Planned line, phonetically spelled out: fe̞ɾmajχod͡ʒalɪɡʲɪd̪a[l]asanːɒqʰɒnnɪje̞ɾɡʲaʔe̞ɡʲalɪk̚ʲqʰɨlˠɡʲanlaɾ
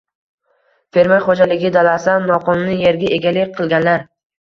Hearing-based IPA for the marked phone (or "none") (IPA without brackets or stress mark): l